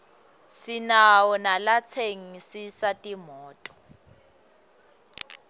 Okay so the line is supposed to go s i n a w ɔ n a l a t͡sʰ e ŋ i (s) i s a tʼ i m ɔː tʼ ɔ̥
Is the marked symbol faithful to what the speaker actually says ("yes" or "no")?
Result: yes